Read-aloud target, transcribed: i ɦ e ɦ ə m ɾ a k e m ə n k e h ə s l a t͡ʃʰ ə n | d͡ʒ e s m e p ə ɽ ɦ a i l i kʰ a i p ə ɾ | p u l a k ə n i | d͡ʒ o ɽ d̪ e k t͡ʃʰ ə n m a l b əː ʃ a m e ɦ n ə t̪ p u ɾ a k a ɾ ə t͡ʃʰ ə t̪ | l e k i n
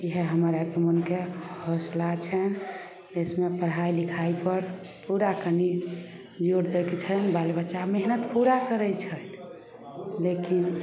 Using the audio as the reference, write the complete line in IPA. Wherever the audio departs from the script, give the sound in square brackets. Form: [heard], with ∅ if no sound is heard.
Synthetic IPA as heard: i ɦ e ɦ ə m ɾ a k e m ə n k e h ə s l a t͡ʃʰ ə n | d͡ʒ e s m e p ə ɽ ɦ a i l i kʰ a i p ə ɾ | p u [ɾ] a k ə n i | d͡ʒ o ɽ d̪ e k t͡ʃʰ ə n [b] a l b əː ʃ a m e ɦ n ə t̪ p u ɾ a k [ə] ɾ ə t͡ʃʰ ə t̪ | l e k i n